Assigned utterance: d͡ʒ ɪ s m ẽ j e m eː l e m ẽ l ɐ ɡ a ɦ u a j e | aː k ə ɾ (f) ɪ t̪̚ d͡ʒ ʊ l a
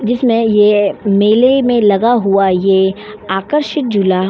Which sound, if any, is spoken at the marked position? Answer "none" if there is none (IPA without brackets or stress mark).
ʃ